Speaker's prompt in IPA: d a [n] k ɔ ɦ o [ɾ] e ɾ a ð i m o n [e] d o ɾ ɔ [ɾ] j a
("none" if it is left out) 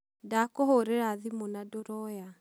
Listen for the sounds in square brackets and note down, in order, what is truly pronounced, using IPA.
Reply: none, ɾ, a, none

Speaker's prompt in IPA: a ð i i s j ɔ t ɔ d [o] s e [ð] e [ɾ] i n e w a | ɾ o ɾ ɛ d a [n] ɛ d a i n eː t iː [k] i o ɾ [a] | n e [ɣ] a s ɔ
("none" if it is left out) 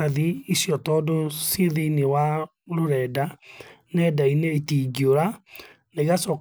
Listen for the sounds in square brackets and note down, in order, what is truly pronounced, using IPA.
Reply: o, ð, none, n, ɡ, a, ɣ

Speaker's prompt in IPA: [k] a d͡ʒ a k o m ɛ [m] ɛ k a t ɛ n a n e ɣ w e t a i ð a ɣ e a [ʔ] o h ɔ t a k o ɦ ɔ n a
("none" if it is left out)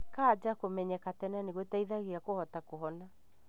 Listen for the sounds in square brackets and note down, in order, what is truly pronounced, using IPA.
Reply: k, ɲ, k

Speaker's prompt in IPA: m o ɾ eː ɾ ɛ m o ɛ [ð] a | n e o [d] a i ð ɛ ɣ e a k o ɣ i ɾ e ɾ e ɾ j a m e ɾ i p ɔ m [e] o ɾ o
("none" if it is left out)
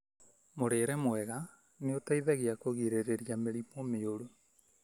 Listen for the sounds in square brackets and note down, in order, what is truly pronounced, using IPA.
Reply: ɣ, t, e

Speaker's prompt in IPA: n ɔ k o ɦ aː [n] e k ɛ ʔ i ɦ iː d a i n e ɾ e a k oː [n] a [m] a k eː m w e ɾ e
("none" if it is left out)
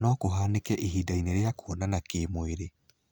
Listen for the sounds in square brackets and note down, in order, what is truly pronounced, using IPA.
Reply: n, n, n

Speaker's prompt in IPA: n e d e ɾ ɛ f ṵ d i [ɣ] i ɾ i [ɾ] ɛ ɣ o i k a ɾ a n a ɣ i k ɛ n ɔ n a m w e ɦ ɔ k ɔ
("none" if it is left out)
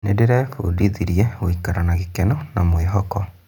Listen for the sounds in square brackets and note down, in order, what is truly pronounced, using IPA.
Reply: ð, none

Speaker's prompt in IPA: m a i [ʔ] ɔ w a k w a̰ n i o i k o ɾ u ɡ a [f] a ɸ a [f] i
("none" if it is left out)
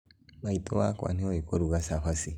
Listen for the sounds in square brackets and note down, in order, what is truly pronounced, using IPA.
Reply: t, s, s

